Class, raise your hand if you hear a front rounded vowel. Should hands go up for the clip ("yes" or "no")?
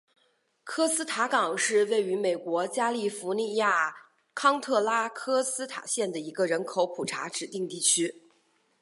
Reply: yes